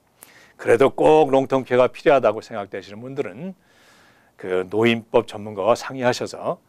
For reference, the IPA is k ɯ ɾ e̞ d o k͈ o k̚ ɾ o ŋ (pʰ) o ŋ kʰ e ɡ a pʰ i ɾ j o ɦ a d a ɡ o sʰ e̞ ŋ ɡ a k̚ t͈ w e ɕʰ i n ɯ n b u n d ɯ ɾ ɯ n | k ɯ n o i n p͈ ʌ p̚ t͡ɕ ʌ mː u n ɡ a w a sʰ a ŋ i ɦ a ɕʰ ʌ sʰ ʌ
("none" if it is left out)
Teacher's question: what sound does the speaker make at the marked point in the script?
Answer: tʰ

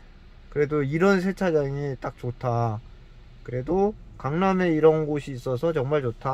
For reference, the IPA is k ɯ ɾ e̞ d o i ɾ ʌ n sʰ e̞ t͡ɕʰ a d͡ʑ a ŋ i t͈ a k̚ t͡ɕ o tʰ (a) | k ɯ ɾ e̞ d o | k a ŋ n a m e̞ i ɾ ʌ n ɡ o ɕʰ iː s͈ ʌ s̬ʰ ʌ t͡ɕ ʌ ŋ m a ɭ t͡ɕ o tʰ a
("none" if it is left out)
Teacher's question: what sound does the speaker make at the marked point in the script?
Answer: a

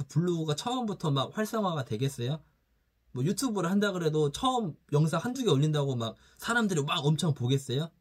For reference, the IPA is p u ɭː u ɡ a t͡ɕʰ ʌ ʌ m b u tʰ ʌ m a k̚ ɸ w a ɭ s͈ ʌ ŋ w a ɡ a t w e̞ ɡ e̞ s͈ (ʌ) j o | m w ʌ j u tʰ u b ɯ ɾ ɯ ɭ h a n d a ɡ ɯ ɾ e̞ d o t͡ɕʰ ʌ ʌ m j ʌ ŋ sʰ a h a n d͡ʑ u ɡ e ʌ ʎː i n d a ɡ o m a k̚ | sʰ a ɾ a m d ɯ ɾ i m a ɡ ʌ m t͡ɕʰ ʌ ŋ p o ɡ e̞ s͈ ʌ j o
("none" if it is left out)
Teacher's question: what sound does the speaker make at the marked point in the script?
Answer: ʌ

